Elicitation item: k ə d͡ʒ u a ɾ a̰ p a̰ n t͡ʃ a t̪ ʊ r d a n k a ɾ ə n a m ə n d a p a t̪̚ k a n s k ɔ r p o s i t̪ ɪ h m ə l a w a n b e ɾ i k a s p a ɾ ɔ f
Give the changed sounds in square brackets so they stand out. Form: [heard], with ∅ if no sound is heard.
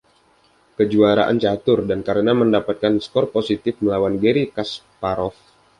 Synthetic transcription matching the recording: k ə d͡ʒ u a ɾ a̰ [ʔ] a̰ n t͡ʃ a t̪ ʊ r d a n k a ɾ ə n a m ə n d a p a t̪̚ k a n s k ɔ r p o s i t̪ ɪ [f] m ə l a w a n [ɡ] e ɾ i k a s p a ɾ ɔ f